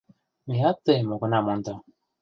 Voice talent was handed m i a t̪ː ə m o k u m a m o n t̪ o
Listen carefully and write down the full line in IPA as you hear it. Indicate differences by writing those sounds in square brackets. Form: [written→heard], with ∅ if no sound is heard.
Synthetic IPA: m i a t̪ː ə m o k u [m→n] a m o n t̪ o